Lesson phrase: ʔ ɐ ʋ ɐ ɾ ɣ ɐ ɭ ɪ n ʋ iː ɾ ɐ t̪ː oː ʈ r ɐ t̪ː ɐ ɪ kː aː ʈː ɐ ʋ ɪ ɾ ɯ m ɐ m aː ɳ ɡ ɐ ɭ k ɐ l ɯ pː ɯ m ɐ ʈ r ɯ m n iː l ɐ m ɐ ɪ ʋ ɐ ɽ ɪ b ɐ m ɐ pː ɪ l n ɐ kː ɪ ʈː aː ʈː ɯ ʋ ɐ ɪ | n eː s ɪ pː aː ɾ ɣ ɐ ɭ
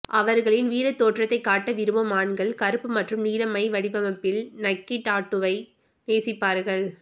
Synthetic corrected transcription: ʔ ɐ ʋ ɐ ɾ ɣ ɐ ɭ ɪ n ʋ iː ɾ ɐ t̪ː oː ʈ r ɐ t̪ː ɐ ɪ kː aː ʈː ɐ ʋ ɪ ɾ ɯ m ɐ m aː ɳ ɡ ɐ ɭ k ɐ ɾ ɯ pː ɯ m ɐ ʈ r ɯ m n iː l ɐ m ɐ ɪ ʋ ɐ ɽ ɪ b ɐ m ɐ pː ɪ l n ɐ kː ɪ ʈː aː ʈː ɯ ʋ ɐ ɪ | n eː s ɪ pː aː ɾ ɣ ɐ ɭ